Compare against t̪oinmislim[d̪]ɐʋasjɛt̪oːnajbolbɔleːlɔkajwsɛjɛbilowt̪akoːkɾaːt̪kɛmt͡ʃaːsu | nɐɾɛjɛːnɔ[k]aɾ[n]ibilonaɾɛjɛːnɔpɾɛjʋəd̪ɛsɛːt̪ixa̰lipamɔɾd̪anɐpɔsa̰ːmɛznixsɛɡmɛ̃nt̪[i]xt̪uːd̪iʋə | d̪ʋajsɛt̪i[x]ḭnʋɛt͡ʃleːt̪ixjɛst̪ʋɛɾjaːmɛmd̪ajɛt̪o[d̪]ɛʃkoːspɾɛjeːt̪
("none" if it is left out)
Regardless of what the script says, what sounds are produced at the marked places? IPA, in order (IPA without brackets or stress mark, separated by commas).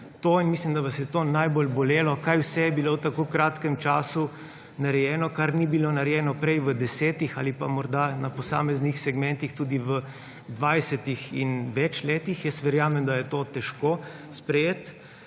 d̪, k, n, i, x, t̪